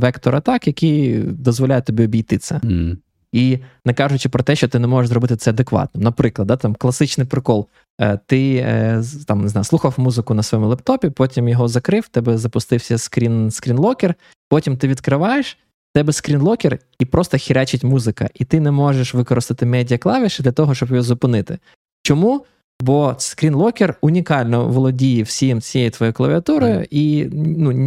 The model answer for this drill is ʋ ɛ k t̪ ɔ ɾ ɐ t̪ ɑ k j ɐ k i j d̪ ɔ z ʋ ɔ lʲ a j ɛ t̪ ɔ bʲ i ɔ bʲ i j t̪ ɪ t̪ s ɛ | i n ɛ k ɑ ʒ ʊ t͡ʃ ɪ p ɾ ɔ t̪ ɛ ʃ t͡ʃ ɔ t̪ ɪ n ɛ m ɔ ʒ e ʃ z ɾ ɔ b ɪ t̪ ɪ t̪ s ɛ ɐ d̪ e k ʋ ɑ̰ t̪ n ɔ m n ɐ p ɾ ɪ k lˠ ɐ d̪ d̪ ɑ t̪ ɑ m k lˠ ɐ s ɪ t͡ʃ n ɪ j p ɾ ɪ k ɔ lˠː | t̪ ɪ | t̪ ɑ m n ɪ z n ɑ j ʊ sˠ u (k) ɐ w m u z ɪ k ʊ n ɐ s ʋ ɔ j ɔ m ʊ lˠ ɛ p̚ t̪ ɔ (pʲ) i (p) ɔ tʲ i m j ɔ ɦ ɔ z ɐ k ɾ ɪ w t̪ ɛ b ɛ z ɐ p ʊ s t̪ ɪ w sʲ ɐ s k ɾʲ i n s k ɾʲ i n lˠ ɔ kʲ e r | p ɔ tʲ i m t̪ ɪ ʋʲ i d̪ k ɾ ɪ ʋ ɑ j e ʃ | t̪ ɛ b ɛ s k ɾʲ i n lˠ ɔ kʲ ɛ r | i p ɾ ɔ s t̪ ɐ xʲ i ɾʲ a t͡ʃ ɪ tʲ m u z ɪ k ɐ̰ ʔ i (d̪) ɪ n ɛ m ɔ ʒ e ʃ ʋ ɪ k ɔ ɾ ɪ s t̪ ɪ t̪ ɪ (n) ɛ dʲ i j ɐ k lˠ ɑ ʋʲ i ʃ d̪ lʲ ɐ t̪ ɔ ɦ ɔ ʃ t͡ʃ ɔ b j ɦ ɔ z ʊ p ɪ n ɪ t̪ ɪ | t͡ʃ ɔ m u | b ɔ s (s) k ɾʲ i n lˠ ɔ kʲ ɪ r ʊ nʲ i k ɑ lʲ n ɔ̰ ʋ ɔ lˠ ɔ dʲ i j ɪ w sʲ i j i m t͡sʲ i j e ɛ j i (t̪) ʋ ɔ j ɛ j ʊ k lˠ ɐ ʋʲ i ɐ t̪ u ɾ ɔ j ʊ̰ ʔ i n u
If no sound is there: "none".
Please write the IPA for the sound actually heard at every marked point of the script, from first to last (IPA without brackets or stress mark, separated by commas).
x, pʲ, p, t̪, m, s, t̪